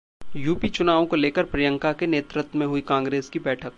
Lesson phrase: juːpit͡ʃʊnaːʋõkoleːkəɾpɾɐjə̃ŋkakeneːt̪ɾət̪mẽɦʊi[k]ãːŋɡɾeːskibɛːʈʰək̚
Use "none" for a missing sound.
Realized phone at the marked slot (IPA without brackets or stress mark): k